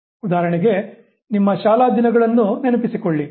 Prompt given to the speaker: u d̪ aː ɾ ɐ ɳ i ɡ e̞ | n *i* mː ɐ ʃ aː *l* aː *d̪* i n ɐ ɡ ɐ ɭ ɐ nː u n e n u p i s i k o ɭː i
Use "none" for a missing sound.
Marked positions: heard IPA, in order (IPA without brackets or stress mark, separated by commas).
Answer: i, l, d̪